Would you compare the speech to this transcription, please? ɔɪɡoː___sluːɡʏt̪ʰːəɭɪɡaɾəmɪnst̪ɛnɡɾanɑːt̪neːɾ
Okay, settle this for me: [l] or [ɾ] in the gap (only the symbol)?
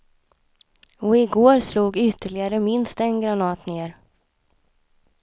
ɾ